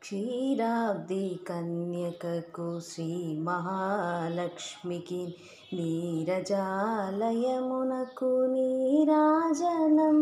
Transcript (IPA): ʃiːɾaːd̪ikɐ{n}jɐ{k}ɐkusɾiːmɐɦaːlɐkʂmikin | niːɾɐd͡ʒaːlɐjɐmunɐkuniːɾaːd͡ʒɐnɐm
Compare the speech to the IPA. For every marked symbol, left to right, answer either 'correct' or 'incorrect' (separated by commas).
correct, correct